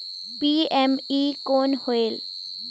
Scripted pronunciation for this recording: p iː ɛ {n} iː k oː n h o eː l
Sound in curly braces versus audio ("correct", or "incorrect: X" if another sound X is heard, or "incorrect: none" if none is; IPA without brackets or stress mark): incorrect: m